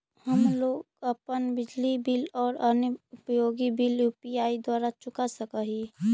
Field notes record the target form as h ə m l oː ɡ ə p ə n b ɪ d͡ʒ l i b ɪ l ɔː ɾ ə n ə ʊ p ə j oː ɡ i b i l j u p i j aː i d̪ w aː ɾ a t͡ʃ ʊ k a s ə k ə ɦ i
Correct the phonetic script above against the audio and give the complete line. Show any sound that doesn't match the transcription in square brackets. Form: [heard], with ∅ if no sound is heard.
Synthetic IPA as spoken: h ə m l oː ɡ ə p ə n b ɪ d͡ʒ l i b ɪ l ɔː ɾ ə n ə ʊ p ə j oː ɡ i b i l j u p i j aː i d̪ w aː ɾ a t͡ʃ ʊ k a s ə k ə ɦ i